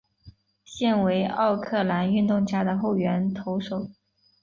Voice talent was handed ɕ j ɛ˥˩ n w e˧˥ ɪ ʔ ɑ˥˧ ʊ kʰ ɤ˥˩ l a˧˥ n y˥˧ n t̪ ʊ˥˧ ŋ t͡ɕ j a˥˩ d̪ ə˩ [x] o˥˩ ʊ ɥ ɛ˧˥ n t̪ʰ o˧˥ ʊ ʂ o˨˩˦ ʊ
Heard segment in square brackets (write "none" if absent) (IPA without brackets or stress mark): x